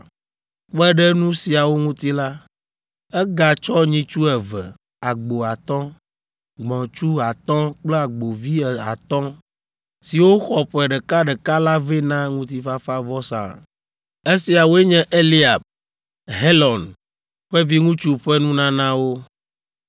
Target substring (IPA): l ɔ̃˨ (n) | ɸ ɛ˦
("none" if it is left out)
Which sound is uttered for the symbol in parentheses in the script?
n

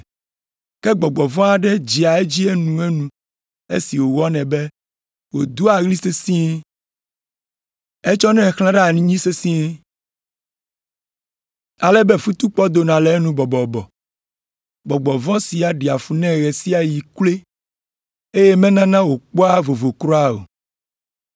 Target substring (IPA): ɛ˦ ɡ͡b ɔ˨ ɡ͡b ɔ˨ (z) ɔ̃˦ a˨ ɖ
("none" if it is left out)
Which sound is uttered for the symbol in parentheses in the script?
v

